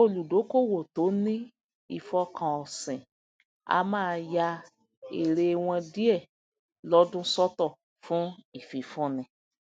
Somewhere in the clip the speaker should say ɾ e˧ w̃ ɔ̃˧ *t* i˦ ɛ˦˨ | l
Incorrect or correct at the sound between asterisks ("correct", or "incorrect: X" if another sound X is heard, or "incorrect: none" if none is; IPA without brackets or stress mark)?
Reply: incorrect: d